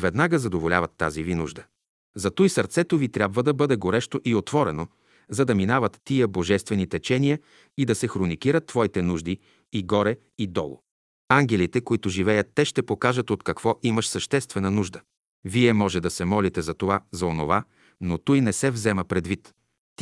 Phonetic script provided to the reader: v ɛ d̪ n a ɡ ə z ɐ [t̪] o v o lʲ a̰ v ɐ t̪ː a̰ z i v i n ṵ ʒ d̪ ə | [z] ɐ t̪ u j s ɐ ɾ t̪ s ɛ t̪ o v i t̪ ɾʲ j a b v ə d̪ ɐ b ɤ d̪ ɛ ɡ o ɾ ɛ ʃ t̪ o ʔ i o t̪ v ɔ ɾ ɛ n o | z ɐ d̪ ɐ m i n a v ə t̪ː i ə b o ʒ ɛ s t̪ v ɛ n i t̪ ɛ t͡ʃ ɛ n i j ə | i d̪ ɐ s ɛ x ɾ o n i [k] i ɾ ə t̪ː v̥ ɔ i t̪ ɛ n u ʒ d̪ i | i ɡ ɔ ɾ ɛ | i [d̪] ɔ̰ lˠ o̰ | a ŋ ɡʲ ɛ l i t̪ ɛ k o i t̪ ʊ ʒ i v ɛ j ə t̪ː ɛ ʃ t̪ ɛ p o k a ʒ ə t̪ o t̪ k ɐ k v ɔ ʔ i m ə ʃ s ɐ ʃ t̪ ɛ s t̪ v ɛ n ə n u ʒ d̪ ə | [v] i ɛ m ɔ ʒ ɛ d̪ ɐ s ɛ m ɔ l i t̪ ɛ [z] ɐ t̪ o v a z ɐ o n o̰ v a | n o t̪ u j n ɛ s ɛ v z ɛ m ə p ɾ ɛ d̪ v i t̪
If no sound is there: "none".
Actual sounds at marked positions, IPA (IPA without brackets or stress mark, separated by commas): d̪, z, k, d̪, v, z